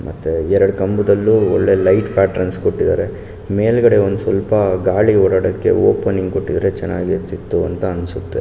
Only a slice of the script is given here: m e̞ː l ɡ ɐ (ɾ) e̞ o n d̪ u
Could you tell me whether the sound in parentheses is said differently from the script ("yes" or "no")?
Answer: yes